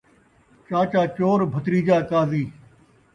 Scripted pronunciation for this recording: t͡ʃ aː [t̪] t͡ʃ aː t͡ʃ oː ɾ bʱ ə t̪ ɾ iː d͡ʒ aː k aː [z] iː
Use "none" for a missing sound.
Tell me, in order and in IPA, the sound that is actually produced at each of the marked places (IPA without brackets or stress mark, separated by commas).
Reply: none, z